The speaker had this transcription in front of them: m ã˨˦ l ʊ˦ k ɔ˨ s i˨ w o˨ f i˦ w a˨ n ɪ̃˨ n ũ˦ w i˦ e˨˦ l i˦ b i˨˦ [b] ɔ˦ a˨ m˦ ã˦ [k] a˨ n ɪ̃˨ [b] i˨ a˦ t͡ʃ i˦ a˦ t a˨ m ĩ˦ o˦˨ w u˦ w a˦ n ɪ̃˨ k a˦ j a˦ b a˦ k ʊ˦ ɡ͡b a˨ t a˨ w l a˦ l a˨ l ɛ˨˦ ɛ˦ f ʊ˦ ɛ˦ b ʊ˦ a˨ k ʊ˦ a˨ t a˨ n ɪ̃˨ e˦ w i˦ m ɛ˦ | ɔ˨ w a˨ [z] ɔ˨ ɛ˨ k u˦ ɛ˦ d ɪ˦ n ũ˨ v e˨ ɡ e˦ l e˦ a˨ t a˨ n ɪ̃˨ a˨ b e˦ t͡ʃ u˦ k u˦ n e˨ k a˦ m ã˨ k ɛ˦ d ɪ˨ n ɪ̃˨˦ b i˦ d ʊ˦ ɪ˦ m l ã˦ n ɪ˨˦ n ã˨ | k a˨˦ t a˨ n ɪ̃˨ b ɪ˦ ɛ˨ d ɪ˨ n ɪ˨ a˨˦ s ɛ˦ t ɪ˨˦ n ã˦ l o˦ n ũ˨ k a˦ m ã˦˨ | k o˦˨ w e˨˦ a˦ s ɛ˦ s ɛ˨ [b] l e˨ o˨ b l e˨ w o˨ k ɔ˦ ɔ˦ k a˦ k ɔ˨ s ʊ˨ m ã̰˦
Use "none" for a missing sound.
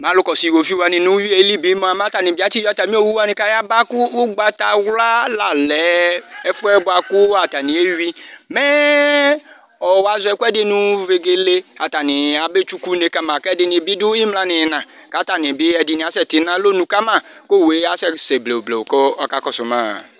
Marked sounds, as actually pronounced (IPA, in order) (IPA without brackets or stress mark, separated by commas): m, t, b, z, b